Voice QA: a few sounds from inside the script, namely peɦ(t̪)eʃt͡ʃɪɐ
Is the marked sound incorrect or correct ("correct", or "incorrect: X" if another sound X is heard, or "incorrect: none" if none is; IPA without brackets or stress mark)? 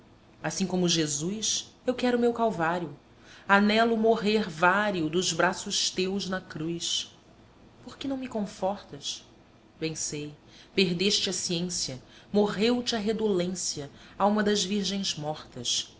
incorrect: d̪